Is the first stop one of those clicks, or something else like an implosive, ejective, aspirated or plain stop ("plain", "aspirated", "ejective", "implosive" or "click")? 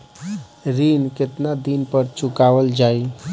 plain